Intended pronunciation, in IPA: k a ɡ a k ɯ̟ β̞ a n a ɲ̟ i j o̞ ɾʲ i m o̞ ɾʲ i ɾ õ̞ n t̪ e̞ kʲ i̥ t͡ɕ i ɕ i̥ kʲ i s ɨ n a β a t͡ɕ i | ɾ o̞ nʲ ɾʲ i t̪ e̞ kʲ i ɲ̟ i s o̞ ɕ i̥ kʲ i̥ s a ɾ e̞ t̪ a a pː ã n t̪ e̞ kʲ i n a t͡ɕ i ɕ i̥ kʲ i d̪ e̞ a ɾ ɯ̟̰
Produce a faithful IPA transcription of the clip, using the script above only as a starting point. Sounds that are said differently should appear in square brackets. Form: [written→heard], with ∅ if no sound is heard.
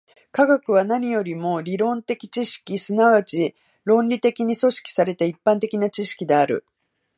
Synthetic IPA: k a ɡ a k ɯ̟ β̞ a n a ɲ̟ i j o̞ ɾʲ i m o̞ ɾʲ i ɾ õ̞ n t̪ e̞ kʲ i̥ t͡ɕ i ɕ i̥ kʲ i s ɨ n a β a t͡ɕ i | ɾ [o̞→õ̞] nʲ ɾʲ i t̪ e̞ kʲ i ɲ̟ i s o̞ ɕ i̥ kʲ i̥ s a ɾ e̞ t̪ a [a→i] pː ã n t̪ e̞ kʲ i n a t͡ɕ i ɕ i̥ kʲ i d̪ e̞ a ɾ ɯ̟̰